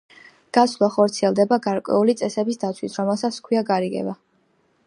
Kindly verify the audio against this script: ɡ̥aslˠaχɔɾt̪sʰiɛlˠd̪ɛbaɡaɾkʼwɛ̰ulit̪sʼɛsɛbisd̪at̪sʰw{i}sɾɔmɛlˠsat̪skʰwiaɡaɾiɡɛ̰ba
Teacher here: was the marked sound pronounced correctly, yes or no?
yes